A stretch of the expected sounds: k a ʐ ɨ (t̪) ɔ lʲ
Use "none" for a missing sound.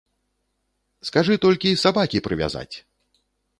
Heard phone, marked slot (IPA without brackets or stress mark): t̪